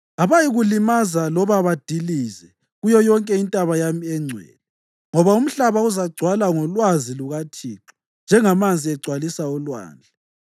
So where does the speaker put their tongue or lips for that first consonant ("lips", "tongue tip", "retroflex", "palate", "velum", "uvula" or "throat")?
lips